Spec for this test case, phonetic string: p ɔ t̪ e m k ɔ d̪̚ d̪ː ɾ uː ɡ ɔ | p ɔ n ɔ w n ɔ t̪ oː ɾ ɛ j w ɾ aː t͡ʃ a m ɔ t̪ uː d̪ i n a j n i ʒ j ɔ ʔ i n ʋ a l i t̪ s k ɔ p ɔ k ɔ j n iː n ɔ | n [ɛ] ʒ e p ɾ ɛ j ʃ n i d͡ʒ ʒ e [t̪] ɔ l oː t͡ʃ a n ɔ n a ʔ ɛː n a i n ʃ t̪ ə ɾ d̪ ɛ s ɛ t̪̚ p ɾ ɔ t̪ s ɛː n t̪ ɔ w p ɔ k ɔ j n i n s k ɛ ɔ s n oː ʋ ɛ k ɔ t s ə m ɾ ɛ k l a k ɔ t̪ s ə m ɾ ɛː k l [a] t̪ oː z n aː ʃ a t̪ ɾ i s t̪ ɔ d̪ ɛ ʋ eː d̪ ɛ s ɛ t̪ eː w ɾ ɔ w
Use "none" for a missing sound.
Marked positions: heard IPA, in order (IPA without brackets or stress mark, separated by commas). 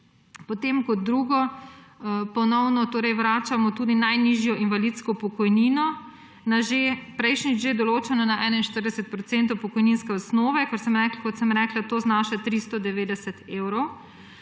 a, d̪, a